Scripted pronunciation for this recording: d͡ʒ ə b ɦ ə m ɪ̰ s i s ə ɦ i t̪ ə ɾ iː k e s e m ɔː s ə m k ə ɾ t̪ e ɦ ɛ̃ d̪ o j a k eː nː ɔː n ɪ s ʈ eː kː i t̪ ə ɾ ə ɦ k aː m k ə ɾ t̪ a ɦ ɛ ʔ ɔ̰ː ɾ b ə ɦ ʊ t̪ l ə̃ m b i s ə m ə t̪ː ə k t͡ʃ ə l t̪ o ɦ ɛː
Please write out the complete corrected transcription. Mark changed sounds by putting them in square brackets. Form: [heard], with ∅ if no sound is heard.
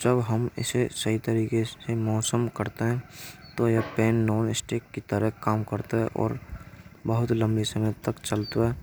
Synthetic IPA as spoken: d͡ʒ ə b ɦ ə m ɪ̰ s [e] s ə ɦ i t̪ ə ɾ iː k e s e m ɔː s ə m k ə ɾ t̪ e ɦ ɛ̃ [t̪] o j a [p] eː nː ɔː n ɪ s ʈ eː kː i t̪ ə ɾ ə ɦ k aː m k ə ɾ t̪ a ɦ ɛ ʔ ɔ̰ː ɾ b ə ɦ ʊ t̪ l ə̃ m b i s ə m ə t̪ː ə k t͡ʃ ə l t̪ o ɦ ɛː